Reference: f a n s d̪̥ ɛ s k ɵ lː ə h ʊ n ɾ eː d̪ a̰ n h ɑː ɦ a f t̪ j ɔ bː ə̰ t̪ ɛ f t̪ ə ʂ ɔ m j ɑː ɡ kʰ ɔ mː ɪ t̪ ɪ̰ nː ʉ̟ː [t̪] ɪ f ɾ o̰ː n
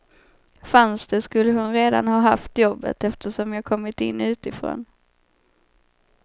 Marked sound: correct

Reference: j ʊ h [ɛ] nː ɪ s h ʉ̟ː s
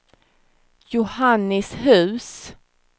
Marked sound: incorrect: a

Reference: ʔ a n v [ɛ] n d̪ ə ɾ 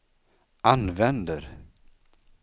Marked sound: correct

